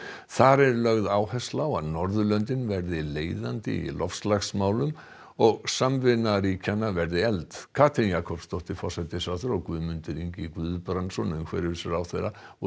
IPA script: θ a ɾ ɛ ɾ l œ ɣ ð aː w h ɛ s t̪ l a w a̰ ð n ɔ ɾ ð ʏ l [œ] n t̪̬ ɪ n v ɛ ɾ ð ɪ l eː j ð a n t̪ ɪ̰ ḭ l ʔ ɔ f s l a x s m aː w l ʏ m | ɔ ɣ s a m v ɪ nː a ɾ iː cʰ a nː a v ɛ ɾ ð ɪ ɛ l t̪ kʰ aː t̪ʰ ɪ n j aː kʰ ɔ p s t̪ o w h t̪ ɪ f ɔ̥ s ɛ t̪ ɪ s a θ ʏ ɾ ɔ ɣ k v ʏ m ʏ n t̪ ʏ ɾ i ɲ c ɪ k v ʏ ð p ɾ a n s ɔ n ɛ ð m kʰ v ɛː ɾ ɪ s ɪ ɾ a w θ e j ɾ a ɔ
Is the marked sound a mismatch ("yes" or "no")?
no